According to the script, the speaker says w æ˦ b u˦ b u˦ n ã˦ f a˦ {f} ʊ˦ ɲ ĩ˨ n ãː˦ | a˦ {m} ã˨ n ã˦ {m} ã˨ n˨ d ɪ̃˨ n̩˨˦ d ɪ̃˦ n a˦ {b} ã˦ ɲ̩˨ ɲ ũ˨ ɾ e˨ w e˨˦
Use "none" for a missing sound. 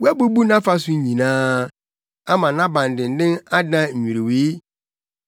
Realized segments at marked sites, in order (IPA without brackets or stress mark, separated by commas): s, m, b, d